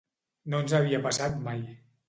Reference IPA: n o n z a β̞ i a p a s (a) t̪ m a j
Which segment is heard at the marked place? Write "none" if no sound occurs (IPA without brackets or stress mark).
a